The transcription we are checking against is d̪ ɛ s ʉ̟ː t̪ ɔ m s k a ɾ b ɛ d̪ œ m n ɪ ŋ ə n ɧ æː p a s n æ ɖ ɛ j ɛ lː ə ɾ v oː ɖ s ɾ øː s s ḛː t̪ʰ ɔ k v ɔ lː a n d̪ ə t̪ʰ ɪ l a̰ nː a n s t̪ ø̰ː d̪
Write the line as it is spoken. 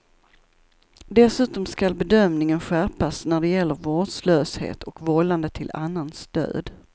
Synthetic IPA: d̪ ɛ s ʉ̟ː t̪ ɔ m s k a l b ɛ d̪ œ m n ɪ ŋ ə n ɧ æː p a s n æ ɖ ɛ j ɛ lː ə ɾ v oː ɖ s l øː s h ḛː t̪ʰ ɔ k v ɔ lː a n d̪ ə t̪ʰ ɪ l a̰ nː a n s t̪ ø̰ː d̪

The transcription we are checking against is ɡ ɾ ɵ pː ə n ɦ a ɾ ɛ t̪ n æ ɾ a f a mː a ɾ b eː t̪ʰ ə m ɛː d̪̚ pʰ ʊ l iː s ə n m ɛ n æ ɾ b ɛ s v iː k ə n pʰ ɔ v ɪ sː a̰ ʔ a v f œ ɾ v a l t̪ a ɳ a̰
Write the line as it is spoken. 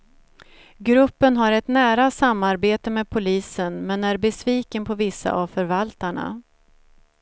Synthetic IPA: ɡ ɾ ɵ pː ə n ɦ a ɾ ɛ t̪ n æː ɾ a s a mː a ɾ b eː t̪ ə m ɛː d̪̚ pʰ ʊ l iː s ə n m ɛ n æ ɾ b ɛ s v iː k ə n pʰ ɔ v ɪ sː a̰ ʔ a v f œ ɾ v a l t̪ a ɳ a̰

